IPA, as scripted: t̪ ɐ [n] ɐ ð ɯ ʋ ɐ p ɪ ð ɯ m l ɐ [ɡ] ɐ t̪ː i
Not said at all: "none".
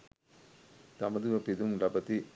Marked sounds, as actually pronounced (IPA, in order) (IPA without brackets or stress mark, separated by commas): m, b